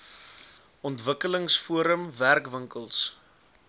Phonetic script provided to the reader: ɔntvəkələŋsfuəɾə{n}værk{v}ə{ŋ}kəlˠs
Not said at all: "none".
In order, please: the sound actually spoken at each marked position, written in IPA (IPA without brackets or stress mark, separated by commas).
m, v, ŋ